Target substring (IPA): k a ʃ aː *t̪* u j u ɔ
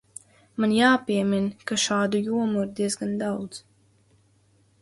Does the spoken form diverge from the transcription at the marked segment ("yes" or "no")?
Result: yes